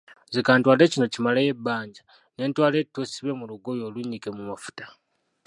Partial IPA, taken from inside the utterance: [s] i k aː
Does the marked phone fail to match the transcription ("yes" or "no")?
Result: yes